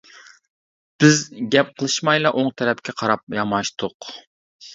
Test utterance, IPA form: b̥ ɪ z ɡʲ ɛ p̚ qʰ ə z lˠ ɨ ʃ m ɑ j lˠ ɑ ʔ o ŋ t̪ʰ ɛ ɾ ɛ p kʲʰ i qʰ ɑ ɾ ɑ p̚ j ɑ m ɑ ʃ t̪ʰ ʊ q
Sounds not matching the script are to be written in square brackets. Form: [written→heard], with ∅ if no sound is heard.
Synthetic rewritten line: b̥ ɪ z ɡʲ ɛ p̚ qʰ ə [z→∅] lˠ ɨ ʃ m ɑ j lˠ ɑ ʔ o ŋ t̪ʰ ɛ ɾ ɛ p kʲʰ [i→ɛ] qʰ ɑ ɾ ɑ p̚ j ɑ m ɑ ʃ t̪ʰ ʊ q